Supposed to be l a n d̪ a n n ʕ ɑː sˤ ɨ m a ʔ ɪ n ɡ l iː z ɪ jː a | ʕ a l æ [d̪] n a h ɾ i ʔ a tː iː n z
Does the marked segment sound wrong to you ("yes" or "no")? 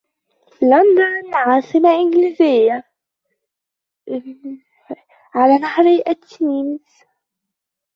yes